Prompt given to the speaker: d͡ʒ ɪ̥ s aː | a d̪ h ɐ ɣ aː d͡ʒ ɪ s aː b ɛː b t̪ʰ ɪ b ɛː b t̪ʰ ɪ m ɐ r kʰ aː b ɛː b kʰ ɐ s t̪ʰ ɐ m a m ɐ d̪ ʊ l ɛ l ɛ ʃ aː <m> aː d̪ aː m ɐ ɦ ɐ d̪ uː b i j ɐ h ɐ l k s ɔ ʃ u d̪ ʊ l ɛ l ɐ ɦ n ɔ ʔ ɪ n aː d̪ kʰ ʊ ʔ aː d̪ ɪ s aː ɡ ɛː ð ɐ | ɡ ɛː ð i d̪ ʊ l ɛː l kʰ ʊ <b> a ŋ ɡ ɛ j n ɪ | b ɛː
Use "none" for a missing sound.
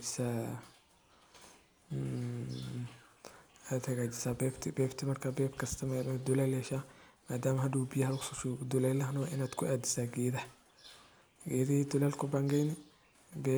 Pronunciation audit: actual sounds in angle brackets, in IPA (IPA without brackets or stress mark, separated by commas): m, b